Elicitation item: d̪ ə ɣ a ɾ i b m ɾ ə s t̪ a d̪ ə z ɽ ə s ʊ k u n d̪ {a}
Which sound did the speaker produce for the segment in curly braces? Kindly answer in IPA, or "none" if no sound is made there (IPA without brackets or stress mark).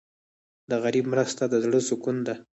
a